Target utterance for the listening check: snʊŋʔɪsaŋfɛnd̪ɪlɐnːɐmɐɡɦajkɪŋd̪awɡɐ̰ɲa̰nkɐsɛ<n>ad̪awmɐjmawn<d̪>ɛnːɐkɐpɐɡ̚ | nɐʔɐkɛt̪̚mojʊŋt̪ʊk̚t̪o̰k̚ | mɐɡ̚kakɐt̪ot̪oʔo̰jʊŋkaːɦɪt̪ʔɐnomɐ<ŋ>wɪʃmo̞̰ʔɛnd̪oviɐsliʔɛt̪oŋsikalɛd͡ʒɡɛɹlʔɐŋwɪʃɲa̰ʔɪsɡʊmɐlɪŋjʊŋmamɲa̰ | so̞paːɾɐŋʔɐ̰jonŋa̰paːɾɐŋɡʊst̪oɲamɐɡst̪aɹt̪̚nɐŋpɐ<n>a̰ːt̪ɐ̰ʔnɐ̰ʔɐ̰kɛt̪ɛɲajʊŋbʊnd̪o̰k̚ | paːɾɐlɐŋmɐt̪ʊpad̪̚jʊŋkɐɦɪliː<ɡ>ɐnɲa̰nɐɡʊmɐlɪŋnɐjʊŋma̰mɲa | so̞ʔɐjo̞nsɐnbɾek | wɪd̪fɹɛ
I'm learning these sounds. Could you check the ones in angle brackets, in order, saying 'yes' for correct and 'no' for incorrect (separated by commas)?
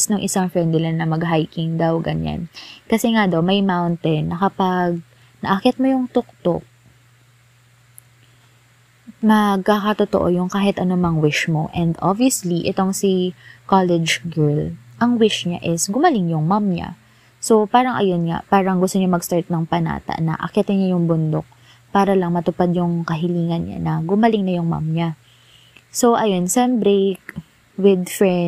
no, no, yes, yes, no